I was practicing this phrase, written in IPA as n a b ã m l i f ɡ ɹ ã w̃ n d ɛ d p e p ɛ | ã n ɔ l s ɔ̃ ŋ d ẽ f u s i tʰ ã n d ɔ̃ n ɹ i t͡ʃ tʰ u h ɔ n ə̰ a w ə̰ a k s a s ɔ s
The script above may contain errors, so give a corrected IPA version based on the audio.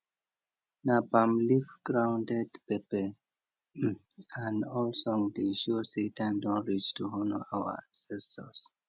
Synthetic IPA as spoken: n a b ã m l i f ɡ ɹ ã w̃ n d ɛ d p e p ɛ | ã n ɔ l s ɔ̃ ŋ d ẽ ʃ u s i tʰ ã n d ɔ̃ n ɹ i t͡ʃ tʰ u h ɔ n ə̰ a w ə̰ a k s ɛ s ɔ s

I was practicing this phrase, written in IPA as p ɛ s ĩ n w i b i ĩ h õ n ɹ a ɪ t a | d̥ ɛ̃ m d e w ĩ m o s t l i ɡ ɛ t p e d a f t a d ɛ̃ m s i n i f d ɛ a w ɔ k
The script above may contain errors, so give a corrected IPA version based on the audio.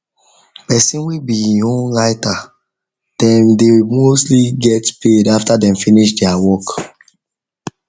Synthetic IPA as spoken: p ɛ s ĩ n w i b i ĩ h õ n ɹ a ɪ t a | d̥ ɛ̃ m d e w i m o s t l i ɡ ɛ t p e d a f t a d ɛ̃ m f i n i ʃ d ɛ a w ɔ k

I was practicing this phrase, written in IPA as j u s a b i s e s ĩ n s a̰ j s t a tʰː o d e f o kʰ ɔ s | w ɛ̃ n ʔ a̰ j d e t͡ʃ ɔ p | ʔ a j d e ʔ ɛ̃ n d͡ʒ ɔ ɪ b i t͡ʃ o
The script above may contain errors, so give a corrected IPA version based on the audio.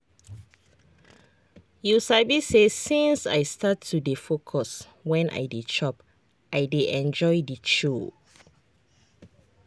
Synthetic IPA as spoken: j u s a b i s e s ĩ n s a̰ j s t a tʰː u d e f o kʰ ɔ s | w ɛ̃ n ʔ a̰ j d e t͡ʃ ɔ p | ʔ a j d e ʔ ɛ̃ n d͡ʒ ɔ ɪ d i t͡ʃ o

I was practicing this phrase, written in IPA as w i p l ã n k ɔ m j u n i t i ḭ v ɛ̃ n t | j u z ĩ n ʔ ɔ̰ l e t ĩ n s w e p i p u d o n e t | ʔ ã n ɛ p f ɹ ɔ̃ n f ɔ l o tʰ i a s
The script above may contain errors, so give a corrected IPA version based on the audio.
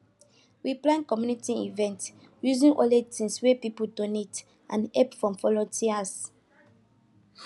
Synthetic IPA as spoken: w i p l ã n k ɔ m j u n i t i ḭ v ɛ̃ n t | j u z ĩ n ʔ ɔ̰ l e t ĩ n s w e p i p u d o n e t | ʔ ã n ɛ p f ɹ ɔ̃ m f ɔ l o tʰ i a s

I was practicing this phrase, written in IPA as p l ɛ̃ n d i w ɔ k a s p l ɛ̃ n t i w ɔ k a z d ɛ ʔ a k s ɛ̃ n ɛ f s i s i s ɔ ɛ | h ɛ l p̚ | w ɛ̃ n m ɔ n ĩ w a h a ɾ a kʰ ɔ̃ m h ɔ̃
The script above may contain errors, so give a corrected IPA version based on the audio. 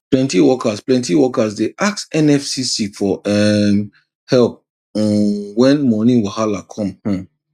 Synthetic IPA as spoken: p l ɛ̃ n t i w ɔ k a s p l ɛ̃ n t i w ɔ k a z d e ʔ a k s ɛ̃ n ɛ f s i s i f ɔ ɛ | h ɛ l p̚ | w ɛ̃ n m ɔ n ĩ w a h a l a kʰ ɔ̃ m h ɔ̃

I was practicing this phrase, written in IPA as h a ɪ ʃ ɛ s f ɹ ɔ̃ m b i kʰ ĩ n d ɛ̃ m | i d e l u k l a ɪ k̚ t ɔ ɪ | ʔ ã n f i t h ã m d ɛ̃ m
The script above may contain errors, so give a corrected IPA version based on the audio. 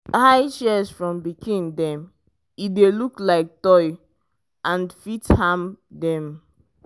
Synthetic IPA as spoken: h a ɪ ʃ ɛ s f ɹ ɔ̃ m b i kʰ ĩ n d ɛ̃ m | i d e l u k l a ɪ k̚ t ɔ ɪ | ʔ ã n f i t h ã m d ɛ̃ m

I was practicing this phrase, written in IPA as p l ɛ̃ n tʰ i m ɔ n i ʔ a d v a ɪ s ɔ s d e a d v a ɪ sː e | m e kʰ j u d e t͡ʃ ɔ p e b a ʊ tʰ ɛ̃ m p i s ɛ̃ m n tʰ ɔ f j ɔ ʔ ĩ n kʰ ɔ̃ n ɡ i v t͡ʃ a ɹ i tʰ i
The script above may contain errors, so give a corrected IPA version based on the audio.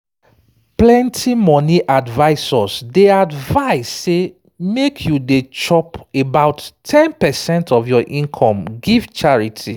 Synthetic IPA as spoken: p l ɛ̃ n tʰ i m ɔ n i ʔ a d v a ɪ s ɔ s d e a d v a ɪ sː e | m e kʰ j u d e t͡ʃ ɔ p e b a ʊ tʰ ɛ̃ n p ɛ s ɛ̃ n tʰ ɔ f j ɔ ʔ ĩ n kʰ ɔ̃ m ɡ i v t͡ʃ a ɹ i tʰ i

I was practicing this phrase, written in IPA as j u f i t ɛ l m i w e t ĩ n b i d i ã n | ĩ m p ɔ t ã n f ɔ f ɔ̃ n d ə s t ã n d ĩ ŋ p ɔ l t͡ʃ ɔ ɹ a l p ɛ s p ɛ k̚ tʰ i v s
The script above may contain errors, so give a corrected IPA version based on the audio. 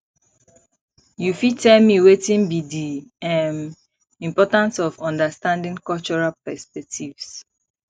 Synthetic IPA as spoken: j u f i t ɛ l m i w e t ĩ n b i d i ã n | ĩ m p ɔ t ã n s ɔ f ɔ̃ n d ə s t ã n d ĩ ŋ k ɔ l t͡ʃ ɔ ɹ a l p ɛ s p ɛ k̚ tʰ i v s

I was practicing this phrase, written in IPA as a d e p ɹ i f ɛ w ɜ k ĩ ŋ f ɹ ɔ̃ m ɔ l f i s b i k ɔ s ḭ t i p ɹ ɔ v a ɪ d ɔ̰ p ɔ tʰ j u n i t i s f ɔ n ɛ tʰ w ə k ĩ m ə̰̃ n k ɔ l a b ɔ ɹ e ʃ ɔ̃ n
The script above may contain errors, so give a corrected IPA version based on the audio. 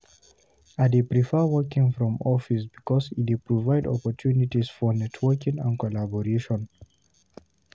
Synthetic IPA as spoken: a d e p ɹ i f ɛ w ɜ k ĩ ŋ f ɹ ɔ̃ m ɔ f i s b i k ɔ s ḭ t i p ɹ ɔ v a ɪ d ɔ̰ p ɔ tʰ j u n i t i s f ɔ n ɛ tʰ w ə k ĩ ŋ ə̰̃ n k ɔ l a b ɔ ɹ e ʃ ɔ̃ n

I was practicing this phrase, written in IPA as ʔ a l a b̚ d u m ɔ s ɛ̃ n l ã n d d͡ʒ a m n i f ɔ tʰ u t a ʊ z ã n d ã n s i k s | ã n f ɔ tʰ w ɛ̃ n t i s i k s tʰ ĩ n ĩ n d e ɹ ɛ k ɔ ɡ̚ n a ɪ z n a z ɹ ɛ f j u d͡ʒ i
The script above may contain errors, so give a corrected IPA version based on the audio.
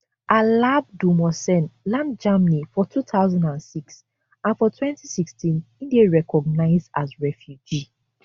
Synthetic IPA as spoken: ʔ a l a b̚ d u m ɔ s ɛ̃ n l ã n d d͡ʒ a m n i f ɔ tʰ u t a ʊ z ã n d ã n s i k s | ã n f ɔ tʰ w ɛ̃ n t i s i k s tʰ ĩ n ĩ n d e ɹ ɛ k ɔ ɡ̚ n a ɪ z d a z ɹ ɛ f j u d͡ʒ i

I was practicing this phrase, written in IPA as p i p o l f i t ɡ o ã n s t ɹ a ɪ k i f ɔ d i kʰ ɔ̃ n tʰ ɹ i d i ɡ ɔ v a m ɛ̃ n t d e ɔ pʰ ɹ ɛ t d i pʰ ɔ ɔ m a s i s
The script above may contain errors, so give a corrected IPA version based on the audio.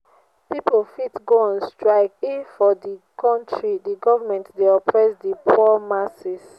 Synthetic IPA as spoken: p i p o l f i t ɡ o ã n s t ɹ a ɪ k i f ɔ d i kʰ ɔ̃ n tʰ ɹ i d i ɡ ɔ v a m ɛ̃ n t d e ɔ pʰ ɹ ɛ s d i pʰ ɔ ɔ m a s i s

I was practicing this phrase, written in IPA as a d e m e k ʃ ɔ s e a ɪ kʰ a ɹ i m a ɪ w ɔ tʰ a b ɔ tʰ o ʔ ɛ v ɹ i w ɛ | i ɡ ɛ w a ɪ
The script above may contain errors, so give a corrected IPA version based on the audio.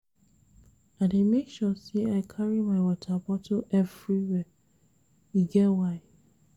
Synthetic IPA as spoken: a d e m e k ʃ ɔ s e a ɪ kʰ a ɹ i m a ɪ w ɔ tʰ a b ɔ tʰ o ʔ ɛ v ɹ i w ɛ | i ɡ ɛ w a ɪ

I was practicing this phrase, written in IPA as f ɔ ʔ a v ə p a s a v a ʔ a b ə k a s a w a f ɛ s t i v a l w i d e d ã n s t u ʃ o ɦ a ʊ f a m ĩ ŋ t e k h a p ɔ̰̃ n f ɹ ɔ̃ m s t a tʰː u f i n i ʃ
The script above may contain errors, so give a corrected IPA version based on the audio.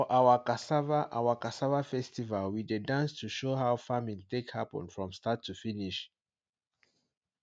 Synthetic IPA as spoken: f ɔ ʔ a w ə k a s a v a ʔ a w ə k a s a v a f ɛ s t i v a l w i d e d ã n s t u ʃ o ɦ a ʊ f a m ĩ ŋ t e k h a p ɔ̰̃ n f ɹ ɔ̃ m s t a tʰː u f i n i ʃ

